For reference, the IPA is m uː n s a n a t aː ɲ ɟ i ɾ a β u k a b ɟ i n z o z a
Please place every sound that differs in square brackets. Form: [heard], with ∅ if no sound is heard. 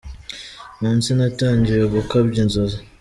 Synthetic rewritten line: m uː n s [i] n a t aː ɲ ɟ i ɾ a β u k a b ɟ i n z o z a